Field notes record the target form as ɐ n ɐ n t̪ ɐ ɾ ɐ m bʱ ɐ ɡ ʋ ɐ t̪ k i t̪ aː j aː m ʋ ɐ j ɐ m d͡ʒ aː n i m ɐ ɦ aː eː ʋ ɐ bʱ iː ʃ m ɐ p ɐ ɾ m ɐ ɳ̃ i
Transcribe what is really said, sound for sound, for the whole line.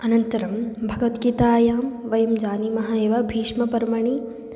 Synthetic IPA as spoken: ɐ n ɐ n t̪ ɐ ɾ ɐ m bʱ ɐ ɡ ʋ ɐ t̪ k i t̪ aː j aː m ʋ ɐ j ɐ m d͡ʒ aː n i m ɐ ɦ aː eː ʋ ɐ bʱ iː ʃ m ɐ p ɐ ɾ m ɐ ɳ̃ i